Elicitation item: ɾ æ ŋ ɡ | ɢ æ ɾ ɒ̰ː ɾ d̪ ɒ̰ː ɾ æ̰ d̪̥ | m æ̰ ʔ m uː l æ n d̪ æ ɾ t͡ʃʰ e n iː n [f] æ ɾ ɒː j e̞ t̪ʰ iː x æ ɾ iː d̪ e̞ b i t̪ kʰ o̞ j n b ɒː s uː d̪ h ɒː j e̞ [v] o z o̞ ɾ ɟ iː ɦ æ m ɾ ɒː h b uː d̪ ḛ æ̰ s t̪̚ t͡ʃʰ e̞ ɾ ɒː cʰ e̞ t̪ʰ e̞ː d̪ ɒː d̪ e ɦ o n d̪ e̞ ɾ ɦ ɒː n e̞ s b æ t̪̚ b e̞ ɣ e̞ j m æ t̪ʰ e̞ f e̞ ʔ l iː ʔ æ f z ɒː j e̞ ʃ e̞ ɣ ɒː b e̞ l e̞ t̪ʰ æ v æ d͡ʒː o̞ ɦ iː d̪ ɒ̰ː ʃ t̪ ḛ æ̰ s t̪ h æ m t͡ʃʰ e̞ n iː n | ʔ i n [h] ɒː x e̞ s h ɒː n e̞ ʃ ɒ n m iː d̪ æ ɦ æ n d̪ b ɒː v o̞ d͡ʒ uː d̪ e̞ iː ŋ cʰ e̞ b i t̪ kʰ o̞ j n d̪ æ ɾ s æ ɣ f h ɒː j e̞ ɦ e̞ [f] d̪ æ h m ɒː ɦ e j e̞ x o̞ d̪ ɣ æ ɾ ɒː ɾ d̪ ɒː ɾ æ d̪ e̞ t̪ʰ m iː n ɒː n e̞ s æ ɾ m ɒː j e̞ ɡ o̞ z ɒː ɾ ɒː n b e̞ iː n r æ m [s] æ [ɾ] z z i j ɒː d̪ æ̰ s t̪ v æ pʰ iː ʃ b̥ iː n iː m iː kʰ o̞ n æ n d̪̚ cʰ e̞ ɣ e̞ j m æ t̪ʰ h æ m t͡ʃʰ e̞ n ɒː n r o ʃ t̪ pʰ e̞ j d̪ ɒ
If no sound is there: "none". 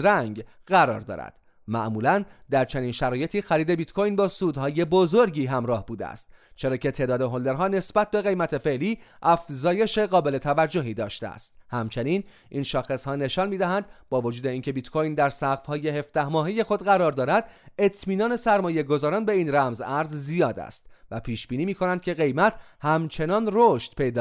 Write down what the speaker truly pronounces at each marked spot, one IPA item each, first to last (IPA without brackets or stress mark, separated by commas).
ʃ, b, ʃ, f, z, ɾ